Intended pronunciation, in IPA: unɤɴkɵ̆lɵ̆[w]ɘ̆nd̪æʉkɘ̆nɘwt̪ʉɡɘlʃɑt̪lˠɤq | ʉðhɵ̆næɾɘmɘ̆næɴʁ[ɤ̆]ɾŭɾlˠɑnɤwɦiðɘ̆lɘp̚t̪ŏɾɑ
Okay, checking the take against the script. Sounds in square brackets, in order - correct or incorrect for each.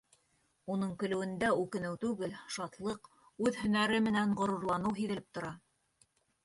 correct, incorrect: ŏ

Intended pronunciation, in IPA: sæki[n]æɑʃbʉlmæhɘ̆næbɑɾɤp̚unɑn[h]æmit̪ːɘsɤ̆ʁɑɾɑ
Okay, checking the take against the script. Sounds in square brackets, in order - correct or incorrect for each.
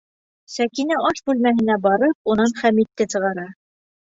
correct, incorrect: χ

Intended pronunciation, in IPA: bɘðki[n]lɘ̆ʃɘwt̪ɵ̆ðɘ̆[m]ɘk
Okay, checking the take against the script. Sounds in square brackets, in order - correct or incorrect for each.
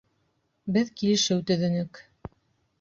incorrect: none, incorrect: n

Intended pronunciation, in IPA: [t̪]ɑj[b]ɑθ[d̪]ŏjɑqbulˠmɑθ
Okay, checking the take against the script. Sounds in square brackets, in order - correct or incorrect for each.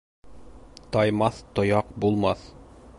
correct, incorrect: m, incorrect: t̪

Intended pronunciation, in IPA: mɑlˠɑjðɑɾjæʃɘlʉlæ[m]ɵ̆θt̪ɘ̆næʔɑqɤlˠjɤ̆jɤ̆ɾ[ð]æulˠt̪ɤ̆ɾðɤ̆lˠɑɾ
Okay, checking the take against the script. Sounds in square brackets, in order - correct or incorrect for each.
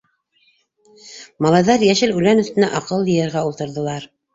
incorrect: n, incorrect: ʁ

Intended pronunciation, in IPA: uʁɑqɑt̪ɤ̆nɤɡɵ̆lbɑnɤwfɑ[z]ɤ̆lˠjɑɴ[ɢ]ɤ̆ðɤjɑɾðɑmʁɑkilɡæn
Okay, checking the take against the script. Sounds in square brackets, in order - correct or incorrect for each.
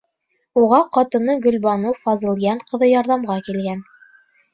correct, incorrect: q

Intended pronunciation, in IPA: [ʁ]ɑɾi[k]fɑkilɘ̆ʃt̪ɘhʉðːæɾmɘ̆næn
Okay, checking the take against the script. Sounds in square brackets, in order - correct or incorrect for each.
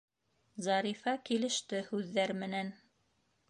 incorrect: z, incorrect: none

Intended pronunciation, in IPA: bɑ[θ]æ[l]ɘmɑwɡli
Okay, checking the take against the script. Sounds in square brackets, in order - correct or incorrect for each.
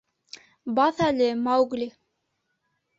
correct, correct

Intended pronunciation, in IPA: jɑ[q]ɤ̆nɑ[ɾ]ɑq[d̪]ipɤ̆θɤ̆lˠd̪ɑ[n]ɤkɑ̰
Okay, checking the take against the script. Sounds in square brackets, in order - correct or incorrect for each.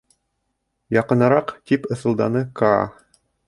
correct, correct, incorrect: t̪, correct

